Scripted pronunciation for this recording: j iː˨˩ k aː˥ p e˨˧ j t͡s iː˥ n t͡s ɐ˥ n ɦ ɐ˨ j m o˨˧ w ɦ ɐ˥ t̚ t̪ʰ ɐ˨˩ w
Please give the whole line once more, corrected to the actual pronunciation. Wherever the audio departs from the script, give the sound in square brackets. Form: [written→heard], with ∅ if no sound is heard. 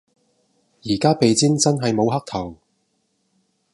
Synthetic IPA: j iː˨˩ k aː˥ p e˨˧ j t͡s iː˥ n t͡s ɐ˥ n ɦ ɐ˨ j m o˨˧ w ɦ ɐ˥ [t̚→k̚] t̪ʰ ɐ˨˩ w

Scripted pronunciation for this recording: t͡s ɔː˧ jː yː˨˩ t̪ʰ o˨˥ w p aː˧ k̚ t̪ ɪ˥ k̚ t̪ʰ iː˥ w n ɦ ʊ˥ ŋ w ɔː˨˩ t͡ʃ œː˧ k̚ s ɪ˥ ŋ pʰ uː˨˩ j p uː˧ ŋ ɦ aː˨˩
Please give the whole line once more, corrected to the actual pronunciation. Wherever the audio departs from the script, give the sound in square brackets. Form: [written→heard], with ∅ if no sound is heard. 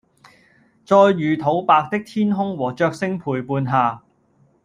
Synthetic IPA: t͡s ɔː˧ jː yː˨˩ t̪ʰ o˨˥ w p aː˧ k̚ t̪ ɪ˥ k̚ t̪ʰ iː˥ [w→∅] n ɦ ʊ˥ ŋ w ɔː˨˩ t͡ʃ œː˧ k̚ s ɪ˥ ŋ pʰ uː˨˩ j p uː˧ [ŋ→n] ɦ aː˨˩

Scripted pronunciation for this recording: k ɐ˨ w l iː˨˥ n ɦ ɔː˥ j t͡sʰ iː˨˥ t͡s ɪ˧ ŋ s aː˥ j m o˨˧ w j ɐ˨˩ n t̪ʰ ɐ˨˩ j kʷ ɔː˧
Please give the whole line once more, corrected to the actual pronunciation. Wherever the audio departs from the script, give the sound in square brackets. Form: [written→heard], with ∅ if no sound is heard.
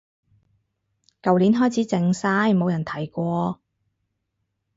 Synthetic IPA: k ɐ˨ w l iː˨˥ n ɦ ɔː˥ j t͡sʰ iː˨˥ t͡s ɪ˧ ŋ s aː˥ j m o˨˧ w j ɐ˨˩ n t̪ʰ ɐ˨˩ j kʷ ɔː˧

